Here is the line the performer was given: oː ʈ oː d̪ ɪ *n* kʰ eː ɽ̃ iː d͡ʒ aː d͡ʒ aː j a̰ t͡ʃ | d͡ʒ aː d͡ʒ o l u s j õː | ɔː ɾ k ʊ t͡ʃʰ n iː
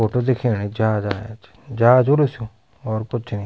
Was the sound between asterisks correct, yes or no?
no